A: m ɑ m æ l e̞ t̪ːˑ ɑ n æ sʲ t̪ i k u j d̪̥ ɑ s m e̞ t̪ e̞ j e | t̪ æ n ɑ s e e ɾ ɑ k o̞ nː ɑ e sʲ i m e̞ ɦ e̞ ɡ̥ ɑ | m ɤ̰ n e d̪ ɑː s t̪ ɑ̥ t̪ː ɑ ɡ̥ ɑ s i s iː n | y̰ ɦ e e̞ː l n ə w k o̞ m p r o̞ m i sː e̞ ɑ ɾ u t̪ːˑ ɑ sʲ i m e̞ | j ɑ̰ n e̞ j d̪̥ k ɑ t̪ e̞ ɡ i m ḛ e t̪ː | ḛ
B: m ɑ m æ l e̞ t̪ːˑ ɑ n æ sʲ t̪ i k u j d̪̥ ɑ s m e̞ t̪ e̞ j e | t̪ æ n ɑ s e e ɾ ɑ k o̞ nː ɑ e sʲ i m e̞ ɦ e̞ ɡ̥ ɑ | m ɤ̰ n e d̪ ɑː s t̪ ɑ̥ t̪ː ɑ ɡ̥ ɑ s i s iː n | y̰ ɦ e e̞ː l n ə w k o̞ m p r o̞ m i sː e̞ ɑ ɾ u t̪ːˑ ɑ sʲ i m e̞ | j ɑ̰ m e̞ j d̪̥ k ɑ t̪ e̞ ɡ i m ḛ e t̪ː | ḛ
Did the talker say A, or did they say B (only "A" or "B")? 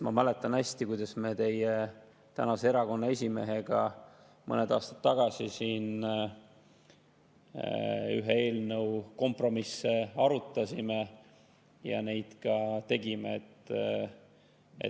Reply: A